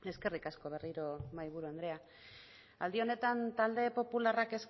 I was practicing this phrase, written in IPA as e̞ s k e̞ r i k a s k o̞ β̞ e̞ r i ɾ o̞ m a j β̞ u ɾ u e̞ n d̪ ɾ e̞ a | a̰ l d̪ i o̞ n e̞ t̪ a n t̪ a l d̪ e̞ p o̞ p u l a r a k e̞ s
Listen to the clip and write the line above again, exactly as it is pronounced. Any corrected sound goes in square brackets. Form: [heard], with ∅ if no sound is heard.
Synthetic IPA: e̞ s k e̞ r i k a s k o̞ β̞ e̞ r i ɾ o̞ m a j β̞ u ɾ u e̞ n d̪ ɾ e̞ a | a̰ l d̪ i o̞ n e̞ t̪ a n t̪ a l d̪ e̞ p o̞ p u l a r a k e̞ s